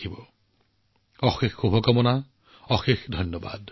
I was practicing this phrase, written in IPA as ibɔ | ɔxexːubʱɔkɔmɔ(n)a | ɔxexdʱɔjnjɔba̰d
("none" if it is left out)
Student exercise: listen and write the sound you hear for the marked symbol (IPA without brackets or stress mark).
n